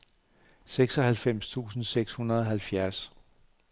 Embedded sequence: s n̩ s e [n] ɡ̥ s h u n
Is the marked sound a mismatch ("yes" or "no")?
yes